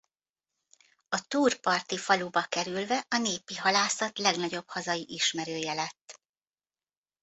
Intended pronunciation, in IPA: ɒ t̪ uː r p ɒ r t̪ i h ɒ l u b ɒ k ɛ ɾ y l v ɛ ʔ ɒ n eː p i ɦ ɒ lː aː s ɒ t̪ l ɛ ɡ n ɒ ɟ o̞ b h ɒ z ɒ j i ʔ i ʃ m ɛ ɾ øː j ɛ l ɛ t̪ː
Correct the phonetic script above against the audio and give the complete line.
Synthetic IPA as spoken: ɒ t̪ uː r p ɒ r t̪ i f ɒ l u b ɒ k ɛ ɾ y l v ɛ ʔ ɒ n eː p i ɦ ɒ l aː s ɒ t̪ l ɛ ɡ n ɒ ɟ o̞ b h ɒ z ɒ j i ʔ i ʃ m ɛ ɾ øː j ɛ l ɛ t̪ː